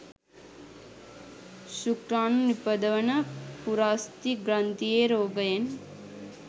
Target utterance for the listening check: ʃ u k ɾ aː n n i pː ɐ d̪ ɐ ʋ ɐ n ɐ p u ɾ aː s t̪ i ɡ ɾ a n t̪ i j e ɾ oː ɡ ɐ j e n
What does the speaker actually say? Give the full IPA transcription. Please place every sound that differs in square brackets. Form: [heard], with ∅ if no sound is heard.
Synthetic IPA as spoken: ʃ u k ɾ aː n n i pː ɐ d̪ ɐ ʋ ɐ n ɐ p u ɾ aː s t̪ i ɡ ɾ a n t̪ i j e ɾ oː ɡ ɐ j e n